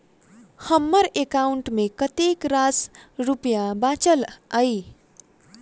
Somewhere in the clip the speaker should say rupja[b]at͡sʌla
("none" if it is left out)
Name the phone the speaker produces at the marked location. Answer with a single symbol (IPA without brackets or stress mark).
b